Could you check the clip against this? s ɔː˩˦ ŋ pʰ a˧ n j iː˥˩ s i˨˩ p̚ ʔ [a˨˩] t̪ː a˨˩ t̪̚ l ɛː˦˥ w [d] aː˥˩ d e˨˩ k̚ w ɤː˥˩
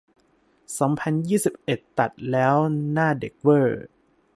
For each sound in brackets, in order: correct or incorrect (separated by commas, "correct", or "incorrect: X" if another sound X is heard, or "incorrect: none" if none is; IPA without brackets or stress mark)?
incorrect: e˨˩, incorrect: n